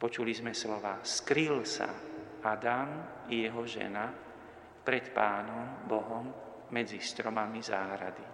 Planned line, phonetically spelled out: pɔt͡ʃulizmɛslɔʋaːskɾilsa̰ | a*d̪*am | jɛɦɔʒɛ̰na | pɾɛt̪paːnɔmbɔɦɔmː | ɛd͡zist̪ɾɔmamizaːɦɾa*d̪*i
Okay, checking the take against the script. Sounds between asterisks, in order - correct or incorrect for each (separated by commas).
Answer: correct, correct